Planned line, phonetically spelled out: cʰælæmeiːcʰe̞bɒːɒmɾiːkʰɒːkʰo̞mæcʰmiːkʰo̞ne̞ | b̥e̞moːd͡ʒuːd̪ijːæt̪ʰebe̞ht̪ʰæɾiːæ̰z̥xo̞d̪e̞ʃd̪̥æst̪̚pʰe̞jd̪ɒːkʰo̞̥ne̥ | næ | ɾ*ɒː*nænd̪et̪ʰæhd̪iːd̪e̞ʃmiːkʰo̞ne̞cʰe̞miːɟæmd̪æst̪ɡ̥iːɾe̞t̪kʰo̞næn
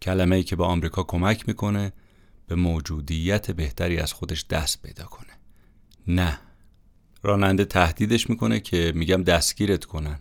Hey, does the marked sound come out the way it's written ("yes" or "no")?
yes